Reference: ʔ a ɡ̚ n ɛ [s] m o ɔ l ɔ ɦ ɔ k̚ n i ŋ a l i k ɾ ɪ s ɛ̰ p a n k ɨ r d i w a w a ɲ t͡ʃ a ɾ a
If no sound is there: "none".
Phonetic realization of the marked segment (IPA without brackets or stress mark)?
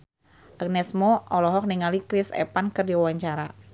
s